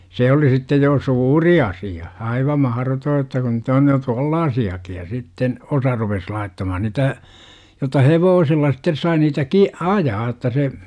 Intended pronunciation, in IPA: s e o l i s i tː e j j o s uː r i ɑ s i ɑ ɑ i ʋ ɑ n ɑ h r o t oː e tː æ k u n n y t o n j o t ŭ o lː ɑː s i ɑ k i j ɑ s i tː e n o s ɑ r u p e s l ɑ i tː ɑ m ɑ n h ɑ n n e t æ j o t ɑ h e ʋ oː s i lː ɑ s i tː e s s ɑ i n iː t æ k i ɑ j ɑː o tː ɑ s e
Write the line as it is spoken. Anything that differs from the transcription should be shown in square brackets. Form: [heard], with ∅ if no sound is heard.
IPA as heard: s e o l i s i tː e j j o s uː r i ɑ s i ɑ ɑ i ʋ ɑ [m] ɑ h r o t oː e tː æ k u n n y t o n j o t ŭ o lː ɑː s i ɑ k i j ɑ s i tː e n o s ɑ r u p e s l ɑ i tː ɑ m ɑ [∅] h ɑ n n [i] t æ j o t ɑ h e ʋ oː s i lː ɑ s i tː e s s ɑ i n iː t æ k i ɑ j ɑː o tː ɑ s e